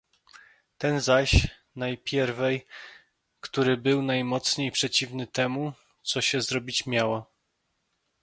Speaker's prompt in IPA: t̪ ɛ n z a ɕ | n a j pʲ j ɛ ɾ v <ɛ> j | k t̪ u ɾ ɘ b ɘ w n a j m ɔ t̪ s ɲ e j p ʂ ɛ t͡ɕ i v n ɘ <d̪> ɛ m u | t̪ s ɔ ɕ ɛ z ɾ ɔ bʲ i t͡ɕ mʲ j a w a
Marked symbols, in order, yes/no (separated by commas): yes, no